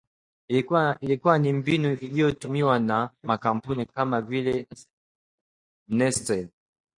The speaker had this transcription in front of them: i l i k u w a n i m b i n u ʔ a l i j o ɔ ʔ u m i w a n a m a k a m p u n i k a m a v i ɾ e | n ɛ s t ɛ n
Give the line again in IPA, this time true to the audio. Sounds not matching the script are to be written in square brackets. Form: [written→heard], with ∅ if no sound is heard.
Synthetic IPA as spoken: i l i k u w a n i m b i n u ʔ [a→i] l i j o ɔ [ʔ→t] u m i w a n a m a k a m p u n i k a m a v i [ɾ→l] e | n ɛ s t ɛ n